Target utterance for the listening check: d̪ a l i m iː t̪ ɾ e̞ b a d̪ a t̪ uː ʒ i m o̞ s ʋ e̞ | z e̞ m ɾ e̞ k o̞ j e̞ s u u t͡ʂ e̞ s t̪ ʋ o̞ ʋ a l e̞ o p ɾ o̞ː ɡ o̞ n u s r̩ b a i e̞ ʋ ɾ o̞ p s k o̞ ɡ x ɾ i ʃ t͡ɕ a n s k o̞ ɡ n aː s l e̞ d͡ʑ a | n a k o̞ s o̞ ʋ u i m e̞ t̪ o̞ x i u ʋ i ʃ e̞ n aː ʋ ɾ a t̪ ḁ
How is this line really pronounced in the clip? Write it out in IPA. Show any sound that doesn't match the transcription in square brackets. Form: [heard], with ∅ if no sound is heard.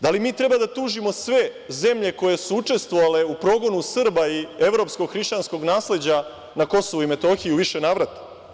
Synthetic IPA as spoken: d̪ a l i m iː t̪ ɾ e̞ b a d̪ a t̪ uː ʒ i m o̞ s ʋ e̞ | z e̞ m [ʎ] e̞ k o̞ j e̞ s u u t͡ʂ e̞ s t̪ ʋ o̞ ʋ a l e̞ [u] p ɾ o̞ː ɡ o̞ n u s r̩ b a i e̞ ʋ ɾ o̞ p s k o̞ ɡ x ɾ i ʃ t͡ɕ a n s k o̞ ɡ n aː s l e̞ d͡ʑ a | n a k o̞ s o̞ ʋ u i m e̞ t̪ o̞ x i u ʋ i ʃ e̞ n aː ʋ ɾ a t̪ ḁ